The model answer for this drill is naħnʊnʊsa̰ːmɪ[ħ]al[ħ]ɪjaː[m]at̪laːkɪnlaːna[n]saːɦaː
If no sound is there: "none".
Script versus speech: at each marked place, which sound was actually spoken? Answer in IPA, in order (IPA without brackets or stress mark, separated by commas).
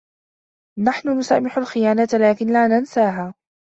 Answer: ħ, x, n, n